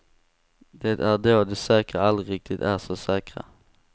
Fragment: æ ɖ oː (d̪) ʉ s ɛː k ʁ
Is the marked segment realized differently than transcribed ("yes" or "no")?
no